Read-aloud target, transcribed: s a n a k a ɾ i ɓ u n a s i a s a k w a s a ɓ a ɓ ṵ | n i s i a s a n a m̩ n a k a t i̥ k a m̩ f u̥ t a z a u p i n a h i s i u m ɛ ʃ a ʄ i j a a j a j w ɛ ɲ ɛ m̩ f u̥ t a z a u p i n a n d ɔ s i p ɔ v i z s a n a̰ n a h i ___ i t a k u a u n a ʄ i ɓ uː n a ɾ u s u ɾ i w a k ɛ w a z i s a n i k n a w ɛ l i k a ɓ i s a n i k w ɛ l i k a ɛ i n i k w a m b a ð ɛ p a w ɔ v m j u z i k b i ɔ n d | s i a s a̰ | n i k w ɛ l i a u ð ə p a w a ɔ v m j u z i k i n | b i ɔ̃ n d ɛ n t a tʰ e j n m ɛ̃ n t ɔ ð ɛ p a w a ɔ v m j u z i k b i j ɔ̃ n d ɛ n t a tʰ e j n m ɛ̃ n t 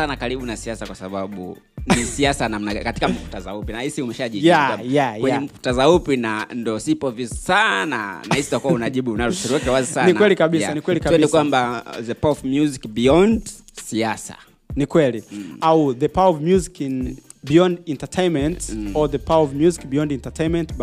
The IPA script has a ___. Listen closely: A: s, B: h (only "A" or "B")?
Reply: A